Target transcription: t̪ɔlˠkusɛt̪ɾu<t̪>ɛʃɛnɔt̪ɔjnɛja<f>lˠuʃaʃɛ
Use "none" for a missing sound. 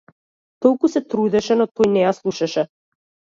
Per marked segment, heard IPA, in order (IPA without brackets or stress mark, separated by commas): d̪, s